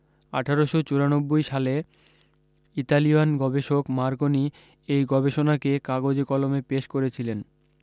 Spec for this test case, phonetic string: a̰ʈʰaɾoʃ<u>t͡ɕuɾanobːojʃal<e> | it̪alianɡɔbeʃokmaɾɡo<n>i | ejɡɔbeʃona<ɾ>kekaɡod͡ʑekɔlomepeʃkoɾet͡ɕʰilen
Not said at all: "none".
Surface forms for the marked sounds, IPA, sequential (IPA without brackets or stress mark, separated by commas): o, e, n, none